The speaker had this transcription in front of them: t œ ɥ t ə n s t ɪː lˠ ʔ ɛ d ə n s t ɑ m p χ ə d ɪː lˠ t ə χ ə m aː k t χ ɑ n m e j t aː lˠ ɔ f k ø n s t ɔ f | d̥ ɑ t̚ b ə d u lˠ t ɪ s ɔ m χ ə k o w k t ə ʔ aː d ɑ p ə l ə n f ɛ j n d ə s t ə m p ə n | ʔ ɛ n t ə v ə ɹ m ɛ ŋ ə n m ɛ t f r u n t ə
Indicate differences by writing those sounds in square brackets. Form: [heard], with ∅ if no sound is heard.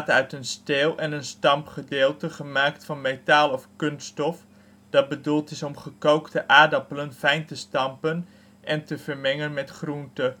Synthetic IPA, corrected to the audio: t œ ɥ t ə n s t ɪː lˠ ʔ ɛ [n] ə n s t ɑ m p χ ə d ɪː lˠ t ə χ ə m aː k t [f] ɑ n m e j t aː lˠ ɔ f k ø n s t ɔ f | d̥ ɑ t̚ b ə d u lˠ t ɪ s ɔ m χ ə k o w k t ə ʔ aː d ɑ p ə l ə n f ɛ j n [t] ə s t [ɑ] m p ə n | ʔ ɛ n t ə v ə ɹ m ɛ ŋ ə n m ɛ t [χ] r u n t ə